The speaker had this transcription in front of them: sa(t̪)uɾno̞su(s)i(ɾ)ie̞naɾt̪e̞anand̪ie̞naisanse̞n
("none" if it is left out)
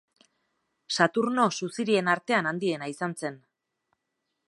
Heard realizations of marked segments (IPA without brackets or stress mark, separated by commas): t̪, s, ɾ